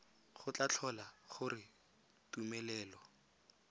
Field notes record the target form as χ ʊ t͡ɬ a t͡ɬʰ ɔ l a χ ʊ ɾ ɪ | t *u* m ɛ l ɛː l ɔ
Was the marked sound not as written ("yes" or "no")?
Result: no